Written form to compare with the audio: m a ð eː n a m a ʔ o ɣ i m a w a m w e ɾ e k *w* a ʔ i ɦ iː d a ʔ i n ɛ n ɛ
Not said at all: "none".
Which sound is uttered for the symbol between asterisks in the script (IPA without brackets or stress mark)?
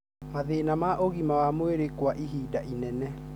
w